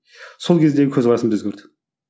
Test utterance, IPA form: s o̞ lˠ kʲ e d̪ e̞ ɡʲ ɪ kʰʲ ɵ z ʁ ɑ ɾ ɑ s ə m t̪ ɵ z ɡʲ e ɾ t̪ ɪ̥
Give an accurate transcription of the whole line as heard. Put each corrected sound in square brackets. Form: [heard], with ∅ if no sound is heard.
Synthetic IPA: s o̞ lˠ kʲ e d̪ e̞ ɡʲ ɪ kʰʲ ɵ z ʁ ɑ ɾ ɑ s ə m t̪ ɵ z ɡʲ e ɾ [d̪] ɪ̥